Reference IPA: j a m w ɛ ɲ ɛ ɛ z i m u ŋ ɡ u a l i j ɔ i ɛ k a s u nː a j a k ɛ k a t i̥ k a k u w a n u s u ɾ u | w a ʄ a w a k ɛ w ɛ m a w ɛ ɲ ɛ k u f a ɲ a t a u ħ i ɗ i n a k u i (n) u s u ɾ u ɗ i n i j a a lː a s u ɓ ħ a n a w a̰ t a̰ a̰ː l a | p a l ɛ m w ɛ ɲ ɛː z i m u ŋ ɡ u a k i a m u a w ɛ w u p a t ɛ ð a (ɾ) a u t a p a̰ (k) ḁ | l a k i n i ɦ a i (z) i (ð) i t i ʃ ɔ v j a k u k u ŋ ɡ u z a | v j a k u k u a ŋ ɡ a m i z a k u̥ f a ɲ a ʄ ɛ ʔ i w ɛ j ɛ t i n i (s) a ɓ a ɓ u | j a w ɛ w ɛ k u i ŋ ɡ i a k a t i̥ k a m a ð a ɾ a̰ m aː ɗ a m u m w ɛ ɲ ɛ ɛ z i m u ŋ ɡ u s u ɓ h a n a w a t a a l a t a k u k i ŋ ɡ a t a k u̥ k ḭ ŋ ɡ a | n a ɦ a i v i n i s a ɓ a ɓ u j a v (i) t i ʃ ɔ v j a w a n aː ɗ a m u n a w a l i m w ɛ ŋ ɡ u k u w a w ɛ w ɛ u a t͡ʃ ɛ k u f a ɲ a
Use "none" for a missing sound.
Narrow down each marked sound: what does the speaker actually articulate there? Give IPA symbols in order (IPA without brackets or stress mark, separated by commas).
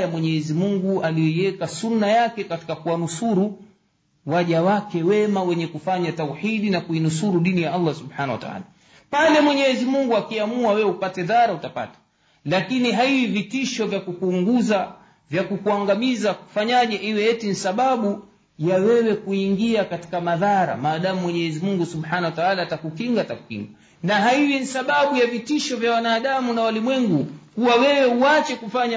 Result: n, ɾ, t, v, v, s, i